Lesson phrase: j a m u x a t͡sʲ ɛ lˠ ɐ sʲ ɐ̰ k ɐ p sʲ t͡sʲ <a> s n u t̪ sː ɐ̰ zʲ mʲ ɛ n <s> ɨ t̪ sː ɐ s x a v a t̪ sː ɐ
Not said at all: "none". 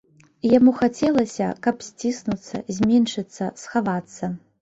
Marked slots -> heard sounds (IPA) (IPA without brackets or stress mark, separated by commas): i, ʂ